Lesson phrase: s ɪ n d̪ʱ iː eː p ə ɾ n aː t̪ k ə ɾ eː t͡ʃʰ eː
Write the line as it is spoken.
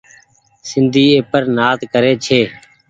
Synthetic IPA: s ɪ n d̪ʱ iː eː p ə ɾ n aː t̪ k ə ɾ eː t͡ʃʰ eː